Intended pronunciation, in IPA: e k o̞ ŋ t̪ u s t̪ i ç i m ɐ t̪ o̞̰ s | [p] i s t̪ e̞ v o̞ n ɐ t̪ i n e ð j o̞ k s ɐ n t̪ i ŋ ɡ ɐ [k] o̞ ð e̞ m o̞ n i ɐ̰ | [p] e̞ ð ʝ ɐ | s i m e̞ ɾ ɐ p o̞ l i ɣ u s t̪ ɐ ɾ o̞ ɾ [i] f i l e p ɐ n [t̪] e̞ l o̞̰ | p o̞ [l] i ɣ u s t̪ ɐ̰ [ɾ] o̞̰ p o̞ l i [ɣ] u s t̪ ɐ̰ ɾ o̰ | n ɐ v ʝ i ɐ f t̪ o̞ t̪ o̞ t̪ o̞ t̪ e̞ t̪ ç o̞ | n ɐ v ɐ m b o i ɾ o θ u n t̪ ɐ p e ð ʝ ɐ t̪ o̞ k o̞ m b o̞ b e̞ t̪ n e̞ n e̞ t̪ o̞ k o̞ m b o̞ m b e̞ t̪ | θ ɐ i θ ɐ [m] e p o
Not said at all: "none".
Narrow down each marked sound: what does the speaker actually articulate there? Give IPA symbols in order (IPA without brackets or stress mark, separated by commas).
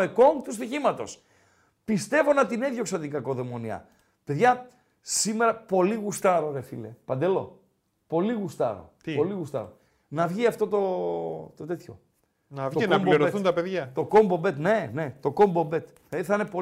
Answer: p, k, p, e, d̪, l, ɾ, ɣ, n